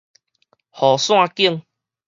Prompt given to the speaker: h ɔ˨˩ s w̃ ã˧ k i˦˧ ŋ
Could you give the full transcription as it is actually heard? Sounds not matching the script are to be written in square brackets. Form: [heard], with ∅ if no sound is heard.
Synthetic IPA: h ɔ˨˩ s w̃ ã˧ k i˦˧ ŋ